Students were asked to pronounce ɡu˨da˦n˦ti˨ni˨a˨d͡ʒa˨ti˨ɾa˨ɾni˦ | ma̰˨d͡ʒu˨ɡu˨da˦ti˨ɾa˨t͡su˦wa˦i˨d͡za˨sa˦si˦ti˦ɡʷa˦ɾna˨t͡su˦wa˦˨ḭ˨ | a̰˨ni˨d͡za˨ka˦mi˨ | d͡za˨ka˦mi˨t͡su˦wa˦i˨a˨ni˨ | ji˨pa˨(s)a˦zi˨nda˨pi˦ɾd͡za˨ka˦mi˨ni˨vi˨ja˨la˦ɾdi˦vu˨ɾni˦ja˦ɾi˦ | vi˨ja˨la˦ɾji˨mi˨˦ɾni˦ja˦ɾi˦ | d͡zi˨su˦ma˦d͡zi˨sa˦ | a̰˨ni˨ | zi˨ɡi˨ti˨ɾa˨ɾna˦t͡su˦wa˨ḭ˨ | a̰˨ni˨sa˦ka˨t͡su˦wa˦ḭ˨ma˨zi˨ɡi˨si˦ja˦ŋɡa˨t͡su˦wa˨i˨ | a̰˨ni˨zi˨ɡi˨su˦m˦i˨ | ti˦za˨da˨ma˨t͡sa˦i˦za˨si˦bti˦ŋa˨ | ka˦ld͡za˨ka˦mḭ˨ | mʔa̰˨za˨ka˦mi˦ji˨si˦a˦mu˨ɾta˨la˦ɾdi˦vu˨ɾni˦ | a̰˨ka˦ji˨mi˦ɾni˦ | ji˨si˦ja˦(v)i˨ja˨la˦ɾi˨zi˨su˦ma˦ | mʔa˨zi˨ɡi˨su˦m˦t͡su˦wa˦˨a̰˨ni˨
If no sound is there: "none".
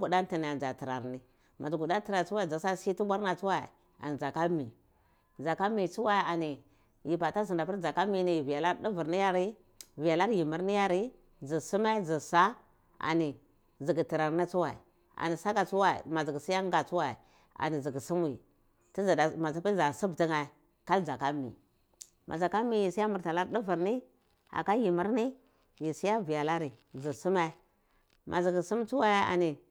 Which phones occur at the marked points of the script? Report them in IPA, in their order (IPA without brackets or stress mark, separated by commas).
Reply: t, v